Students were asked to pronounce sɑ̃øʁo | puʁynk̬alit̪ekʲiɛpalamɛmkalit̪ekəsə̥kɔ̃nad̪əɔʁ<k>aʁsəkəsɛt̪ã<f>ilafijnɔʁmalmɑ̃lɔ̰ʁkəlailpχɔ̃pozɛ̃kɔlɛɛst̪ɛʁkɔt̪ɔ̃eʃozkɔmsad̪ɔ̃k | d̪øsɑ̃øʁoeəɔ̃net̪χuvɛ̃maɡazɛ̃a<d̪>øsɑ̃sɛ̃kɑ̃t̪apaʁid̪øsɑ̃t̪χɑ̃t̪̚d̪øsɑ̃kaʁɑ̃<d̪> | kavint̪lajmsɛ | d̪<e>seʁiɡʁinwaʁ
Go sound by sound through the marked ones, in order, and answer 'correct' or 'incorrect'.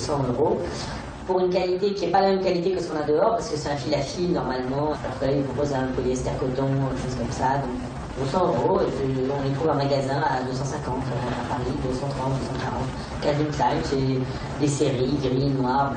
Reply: incorrect: p, correct, correct, incorrect: t̪, correct

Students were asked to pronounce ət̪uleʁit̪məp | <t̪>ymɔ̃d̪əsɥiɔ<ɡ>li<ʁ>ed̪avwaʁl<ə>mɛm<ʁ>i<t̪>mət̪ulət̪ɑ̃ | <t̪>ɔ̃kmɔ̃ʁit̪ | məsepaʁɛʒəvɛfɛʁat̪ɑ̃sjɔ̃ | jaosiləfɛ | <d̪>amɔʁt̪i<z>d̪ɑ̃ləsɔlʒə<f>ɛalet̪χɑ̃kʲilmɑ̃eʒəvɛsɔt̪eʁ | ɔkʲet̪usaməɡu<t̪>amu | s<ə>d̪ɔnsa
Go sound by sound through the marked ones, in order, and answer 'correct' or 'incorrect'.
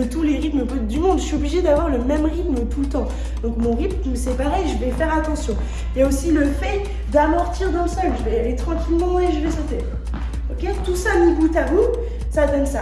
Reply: incorrect: d̪, incorrect: b, incorrect: ʒ, correct, correct, correct, incorrect: d̪, correct, incorrect: ʁ, incorrect: v, correct, incorrect: a

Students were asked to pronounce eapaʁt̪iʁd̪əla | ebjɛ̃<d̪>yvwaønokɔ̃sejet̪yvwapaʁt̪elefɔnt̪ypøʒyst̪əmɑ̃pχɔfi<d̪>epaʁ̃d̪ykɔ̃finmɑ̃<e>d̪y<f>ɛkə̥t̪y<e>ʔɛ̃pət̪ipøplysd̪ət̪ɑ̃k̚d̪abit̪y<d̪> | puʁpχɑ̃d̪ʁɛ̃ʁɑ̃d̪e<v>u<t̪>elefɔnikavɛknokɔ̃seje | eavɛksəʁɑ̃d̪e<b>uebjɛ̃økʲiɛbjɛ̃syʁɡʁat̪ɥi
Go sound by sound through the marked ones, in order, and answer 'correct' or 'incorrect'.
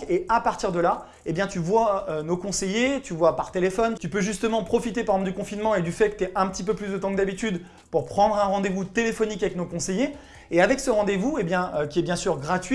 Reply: incorrect: t̪, incorrect: t̪, correct, correct, incorrect: ɛ, correct, correct, correct, incorrect: v

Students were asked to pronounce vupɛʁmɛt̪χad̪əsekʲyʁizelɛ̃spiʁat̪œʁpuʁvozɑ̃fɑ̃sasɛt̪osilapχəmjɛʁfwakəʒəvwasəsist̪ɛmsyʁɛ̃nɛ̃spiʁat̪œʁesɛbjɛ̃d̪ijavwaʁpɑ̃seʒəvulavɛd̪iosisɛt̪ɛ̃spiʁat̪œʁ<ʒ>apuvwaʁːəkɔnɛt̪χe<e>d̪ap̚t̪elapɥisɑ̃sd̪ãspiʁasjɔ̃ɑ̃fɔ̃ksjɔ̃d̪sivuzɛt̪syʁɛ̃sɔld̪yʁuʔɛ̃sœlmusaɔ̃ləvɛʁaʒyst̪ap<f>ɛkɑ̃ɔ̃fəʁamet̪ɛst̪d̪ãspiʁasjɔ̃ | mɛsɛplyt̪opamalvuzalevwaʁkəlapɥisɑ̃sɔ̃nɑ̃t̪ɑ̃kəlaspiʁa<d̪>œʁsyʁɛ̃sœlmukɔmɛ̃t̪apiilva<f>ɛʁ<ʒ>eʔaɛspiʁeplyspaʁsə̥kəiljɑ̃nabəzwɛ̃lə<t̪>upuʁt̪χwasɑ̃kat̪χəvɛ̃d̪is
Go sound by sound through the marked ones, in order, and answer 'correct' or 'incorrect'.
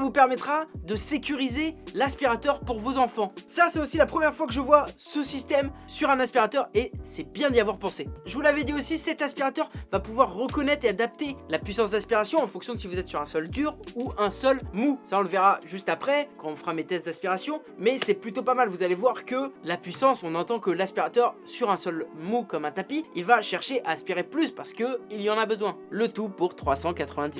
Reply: incorrect: v, incorrect: a, incorrect: χ, incorrect: t̪, incorrect: ʃ, incorrect: ʃ, correct

